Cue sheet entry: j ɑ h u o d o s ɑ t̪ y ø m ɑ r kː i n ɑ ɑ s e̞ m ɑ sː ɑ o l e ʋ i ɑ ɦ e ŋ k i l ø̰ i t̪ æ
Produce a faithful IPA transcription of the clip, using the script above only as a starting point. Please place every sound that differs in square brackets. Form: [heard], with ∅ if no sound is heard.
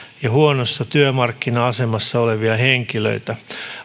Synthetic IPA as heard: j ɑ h u o [n] o [sː] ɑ t̪ y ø m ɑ r kː i n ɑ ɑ s e̞ m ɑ sː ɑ o l e ʋ i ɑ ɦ e ŋ k i l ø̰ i t̪ æ